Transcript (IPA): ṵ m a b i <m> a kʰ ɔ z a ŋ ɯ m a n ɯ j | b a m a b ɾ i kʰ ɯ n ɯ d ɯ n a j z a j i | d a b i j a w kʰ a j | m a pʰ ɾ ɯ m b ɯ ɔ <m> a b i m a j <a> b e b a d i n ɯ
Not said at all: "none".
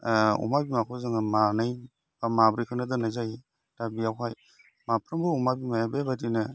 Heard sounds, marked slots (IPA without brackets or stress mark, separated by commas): m, m, a